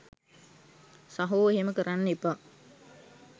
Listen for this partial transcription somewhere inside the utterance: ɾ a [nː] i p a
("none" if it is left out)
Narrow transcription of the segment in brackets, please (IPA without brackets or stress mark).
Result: nː